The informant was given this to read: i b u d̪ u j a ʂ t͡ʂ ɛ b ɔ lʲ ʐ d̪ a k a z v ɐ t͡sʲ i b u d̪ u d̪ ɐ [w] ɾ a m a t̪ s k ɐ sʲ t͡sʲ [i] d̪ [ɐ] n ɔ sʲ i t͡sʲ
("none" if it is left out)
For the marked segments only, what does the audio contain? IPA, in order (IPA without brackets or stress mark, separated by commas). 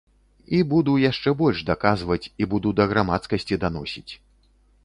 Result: ɣ, i, a